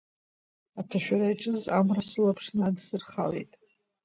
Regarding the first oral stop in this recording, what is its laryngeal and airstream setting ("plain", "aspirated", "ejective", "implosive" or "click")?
aspirated